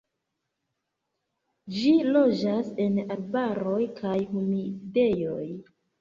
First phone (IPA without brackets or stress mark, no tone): d͡ʒ